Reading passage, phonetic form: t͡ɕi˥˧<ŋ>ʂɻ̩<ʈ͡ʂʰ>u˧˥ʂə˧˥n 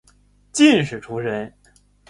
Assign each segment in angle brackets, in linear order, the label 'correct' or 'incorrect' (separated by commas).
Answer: incorrect, correct